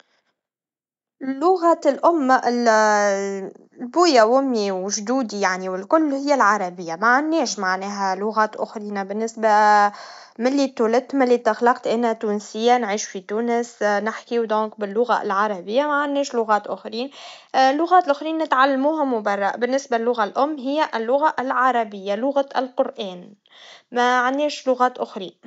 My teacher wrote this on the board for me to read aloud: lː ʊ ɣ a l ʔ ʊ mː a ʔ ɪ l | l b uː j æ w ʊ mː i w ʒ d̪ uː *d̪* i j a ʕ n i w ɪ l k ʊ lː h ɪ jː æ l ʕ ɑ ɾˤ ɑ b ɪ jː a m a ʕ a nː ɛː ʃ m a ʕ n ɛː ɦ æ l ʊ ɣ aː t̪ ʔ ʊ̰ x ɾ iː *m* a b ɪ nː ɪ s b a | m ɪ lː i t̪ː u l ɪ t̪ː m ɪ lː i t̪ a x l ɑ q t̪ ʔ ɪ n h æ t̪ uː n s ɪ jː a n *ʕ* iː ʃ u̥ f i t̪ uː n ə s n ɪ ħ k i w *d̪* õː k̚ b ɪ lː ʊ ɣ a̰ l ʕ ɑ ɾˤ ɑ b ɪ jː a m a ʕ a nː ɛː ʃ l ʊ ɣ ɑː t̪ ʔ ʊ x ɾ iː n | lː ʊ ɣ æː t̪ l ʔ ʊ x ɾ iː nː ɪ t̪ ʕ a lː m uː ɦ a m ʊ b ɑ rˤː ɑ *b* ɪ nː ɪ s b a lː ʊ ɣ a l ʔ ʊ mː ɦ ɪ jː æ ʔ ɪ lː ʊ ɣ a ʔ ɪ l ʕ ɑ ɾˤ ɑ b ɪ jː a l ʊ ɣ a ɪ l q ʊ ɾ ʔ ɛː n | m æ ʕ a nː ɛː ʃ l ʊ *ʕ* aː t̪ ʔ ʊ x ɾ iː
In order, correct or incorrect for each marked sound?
correct, incorrect, correct, correct, correct, incorrect

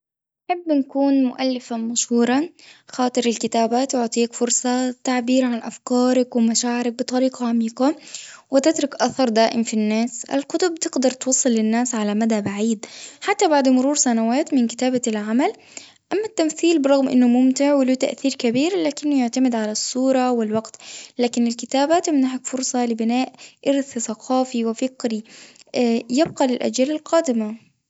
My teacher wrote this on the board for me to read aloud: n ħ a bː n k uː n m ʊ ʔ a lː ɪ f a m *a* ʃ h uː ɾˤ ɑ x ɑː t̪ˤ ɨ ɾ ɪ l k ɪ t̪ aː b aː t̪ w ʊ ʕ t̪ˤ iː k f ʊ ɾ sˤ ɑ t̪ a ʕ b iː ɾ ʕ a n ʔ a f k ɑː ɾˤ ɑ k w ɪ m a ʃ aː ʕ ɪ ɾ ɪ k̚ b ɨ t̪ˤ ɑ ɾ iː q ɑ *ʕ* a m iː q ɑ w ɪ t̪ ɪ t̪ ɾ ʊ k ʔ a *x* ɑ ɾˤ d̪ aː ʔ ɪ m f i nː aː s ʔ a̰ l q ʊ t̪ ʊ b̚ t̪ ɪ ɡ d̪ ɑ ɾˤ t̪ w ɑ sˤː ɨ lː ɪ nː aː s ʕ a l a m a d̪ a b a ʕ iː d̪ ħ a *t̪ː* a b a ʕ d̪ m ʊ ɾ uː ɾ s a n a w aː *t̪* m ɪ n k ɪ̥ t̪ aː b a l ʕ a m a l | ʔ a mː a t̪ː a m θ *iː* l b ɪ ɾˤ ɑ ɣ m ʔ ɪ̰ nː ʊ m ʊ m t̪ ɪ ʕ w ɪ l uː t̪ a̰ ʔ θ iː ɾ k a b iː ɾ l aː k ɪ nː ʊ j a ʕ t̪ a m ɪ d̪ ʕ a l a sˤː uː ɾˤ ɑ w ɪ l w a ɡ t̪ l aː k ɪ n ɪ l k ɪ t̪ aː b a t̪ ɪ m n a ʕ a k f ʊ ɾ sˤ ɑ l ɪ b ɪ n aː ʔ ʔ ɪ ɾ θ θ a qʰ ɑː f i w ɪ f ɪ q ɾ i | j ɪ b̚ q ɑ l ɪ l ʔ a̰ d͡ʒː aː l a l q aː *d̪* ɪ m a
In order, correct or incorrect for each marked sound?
correct, correct, incorrect, correct, correct, correct, correct

